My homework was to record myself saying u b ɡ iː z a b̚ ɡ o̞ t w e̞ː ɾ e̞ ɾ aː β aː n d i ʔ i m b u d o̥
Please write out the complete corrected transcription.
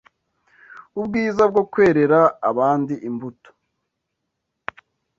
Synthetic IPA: u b ɡ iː z a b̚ ɡ o̞ k w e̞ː ɾ e̞ ɾ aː β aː n d i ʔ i m b u t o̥